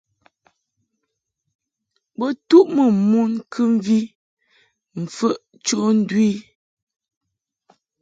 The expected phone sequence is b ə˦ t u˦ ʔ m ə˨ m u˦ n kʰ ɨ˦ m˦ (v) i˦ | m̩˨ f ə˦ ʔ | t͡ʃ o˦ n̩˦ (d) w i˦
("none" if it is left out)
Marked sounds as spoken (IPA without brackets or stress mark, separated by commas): v, d